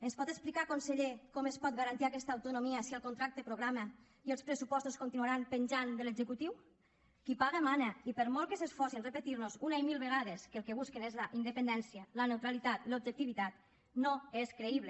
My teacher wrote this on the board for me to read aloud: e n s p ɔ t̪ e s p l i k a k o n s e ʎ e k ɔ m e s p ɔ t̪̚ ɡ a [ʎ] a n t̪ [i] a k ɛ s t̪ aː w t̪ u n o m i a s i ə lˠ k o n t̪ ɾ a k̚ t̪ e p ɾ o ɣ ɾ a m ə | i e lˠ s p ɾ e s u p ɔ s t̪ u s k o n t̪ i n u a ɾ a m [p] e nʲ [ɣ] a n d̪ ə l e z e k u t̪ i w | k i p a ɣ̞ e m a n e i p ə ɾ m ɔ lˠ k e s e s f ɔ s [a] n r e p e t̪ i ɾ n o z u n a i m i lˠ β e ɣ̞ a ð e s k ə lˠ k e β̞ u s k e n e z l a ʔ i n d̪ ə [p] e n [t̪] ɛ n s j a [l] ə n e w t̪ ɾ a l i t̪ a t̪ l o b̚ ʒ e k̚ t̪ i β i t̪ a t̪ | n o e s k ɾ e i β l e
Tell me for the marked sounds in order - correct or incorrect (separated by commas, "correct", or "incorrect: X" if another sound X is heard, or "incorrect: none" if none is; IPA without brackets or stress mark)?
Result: incorrect: ɾ, correct, correct, incorrect: ʒ, incorrect: i, correct, incorrect: d̪, correct